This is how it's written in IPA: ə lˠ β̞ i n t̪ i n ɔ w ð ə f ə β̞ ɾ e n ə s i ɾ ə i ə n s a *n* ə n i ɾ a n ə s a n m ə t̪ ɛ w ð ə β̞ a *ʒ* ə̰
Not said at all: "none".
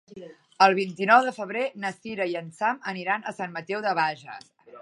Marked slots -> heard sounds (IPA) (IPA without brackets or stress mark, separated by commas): m, ʒ